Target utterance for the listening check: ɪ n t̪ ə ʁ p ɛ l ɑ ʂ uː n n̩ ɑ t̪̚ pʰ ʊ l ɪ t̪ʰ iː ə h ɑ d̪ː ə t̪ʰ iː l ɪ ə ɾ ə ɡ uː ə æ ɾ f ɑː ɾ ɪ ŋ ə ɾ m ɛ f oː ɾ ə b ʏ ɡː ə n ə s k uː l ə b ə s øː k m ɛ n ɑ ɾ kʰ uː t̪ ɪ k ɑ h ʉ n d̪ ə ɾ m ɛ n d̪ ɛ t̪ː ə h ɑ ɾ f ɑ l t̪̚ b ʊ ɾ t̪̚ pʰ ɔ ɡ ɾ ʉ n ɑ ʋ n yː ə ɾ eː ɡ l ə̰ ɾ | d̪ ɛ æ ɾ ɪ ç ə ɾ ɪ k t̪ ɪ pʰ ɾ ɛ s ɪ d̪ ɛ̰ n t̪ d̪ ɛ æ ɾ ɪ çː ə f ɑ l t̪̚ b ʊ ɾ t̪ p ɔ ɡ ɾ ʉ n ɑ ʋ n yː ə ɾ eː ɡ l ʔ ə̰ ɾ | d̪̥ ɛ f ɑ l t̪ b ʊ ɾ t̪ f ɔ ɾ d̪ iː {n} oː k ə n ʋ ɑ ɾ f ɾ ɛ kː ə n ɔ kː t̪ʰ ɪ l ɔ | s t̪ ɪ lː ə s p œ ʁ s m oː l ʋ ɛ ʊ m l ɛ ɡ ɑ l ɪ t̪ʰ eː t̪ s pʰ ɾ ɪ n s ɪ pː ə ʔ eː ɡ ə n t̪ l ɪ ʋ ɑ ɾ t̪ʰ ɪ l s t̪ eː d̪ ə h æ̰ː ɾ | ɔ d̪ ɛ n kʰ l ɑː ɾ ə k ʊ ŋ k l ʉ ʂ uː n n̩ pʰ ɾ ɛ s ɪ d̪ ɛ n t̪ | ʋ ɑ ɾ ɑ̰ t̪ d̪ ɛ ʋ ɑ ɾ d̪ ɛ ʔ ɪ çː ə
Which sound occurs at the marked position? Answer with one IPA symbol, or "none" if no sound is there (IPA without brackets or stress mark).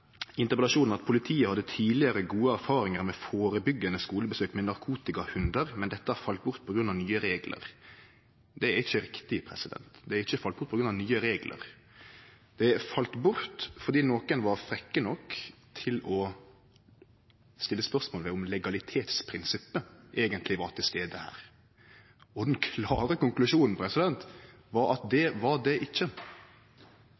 n